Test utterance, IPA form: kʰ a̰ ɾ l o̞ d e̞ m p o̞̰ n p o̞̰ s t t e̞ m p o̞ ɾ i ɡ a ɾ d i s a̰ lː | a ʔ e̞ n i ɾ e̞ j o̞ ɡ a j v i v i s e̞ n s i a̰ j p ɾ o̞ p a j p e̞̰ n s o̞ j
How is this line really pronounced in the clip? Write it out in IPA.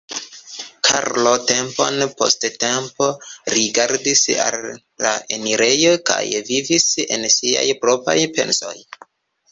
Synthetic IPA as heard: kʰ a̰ ɾ l o̞ t e̞ m p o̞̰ n p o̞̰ s t t e̞ m p o̞ ɾ i ɡ a ɾ d i s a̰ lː | a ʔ e̞ n i ɾ e̞ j o̞ k a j v i v i s e̞ n s i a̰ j p ɾ o̞ p a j p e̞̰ n s o̞ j

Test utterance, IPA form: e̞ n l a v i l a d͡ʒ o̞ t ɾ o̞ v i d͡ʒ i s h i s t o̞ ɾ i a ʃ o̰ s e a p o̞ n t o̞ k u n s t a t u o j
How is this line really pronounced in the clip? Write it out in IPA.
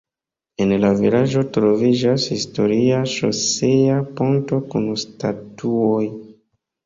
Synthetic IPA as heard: e̞ n l a v i l a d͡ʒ o̞ t ɾ o̞ v i d͡ʒ a s h i s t o̞ ɾ i a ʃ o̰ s e a p o̞ n t o̞ k u n s t a t u o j

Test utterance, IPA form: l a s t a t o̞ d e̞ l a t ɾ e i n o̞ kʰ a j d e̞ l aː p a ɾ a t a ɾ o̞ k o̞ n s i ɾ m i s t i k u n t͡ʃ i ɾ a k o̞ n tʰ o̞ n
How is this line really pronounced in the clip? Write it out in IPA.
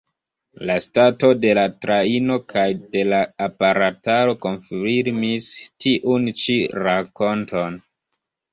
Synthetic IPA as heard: l a s t a t o̞ d e̞ l a t ɾ a i n o̞ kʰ a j d e̞ l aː p a ɾ a t a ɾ o̞ k o̞ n f i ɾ m i s t i ʔ u n t͡ʃ i ɾ a k o̞ n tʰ o̞ n

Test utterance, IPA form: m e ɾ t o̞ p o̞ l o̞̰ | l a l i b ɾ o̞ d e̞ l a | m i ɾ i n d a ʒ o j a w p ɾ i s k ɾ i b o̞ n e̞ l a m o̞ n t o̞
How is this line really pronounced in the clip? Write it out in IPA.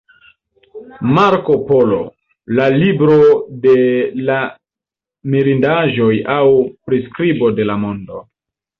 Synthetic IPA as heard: m a ɾ k o̞ p o̞ l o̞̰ | l a l i b ɾ o̞ d e̞ l a | m i ɾ i n d a ʒ o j a w p ɾ i s k ɾ i b o̞ d e̞ l a m o̞ n d o̞

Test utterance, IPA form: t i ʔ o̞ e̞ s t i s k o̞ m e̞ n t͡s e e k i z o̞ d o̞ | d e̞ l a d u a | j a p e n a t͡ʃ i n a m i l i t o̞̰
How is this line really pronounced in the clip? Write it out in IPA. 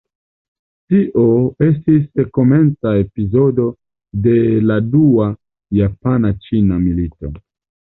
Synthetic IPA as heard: t i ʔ o̞ e̞ s t i s k o̞ m e̞ n t͡s a e p i z o̞ d o̞ | d e̞ l a d u a | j a p a n a t͡ʃ i n a m i l i t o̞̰

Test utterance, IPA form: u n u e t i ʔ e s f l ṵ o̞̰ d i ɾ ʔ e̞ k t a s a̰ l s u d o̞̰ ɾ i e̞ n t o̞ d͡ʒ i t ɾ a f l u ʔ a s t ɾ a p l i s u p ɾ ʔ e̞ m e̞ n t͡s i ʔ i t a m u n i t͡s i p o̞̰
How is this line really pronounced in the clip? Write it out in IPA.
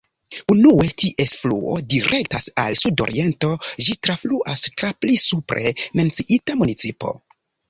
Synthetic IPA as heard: u n u e t i ʔ e s f l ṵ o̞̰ d i ɾ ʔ e̞ k t a s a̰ l s u d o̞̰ ɾ i e̞ n t o̞ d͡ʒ i t ɾ a f l u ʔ a s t ɾ a p l i s u p ɾ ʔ e̞ m e̞ n t͡s i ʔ i t a m u n i t͡s i p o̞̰

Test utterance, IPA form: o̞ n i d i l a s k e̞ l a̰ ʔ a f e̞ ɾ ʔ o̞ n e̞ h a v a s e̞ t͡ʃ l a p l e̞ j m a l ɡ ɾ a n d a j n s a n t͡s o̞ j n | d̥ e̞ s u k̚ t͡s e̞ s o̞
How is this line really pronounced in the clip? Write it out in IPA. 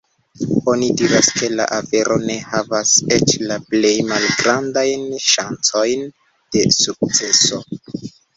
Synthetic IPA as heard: o̞ n i d i ɾ a s k e̞ l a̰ ʔ a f e̞ ɾ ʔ o̞ n e̞ h a v a s e̞ t͡ʃ l a p l e̞ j m a l ɡ ɾ a n d a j n ʃ a n t͡s o̞ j n | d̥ e̞ s u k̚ t͡s e̞ s o̞

